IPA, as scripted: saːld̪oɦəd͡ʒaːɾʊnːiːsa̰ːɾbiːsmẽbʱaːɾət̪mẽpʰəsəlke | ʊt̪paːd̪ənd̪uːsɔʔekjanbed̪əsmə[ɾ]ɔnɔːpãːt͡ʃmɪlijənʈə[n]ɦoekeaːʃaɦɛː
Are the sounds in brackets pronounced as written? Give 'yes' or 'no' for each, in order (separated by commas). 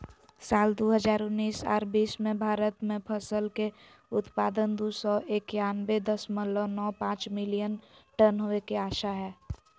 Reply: no, yes